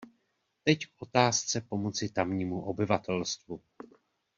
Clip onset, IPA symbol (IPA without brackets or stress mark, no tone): t̪